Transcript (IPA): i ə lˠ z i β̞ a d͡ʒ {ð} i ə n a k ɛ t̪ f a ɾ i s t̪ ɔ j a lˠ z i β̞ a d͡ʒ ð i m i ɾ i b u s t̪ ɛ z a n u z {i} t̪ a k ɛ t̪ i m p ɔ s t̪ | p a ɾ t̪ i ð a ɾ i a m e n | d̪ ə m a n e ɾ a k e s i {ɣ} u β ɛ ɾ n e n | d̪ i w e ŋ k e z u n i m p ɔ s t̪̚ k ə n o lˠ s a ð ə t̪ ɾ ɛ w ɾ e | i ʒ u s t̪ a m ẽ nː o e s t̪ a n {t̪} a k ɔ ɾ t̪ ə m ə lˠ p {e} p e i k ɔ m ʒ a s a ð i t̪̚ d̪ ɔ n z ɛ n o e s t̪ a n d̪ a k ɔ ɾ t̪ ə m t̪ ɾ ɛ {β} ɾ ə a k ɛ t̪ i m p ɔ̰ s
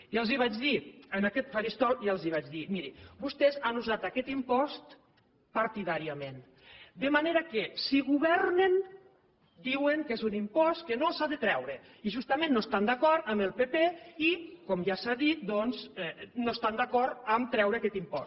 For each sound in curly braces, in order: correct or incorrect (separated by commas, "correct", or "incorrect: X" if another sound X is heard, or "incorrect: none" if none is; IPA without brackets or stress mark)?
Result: correct, incorrect: a, correct, incorrect: d̪, correct, incorrect: w